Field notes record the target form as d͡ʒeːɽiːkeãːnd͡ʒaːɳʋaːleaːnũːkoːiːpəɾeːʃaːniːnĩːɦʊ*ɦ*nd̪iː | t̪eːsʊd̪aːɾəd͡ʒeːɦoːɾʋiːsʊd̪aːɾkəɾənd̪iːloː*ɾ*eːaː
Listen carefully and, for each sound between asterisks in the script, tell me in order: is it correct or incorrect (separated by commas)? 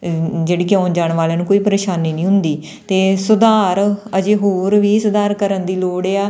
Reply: incorrect, incorrect